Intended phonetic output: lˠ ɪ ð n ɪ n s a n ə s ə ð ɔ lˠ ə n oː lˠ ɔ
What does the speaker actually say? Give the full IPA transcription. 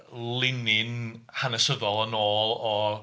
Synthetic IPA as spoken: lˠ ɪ n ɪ n h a n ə s ə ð ɔ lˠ ə n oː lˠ ɔ